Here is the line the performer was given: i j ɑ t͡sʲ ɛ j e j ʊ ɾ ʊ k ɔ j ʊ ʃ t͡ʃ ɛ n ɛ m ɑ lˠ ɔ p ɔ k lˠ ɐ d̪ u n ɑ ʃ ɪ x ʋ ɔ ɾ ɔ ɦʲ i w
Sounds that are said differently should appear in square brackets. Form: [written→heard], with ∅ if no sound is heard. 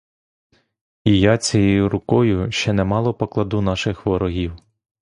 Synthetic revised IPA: i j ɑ t͡sʲ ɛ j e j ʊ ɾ ʊ k ɔ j ʊ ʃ t͡ʃ ɛ n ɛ m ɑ lˠ ɔ p ɔ k lˠ ɐ d̪ u n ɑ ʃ ɪ x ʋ ɔ ɾ ɔ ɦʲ i w